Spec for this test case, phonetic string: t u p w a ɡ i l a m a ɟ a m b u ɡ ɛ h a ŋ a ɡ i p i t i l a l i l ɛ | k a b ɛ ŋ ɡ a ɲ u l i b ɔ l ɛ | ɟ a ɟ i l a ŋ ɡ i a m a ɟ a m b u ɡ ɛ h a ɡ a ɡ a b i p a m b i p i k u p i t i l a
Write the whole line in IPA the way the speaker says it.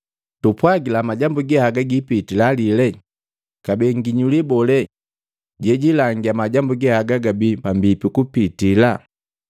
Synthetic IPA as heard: t u p w a ɡ i l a m a ɟ a m b u ɡ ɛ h a ɡ a ɡ i p i t i l a l i l ɛ | k a b ɛ ŋ ɡ i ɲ u l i b ɔ l ɛ | ɟ ɛ ɟ i l a ŋ ɡ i a m a ɟ a m b u ɡ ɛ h a ɡ a ɡ a b i p a m b i p i k u p i t i l a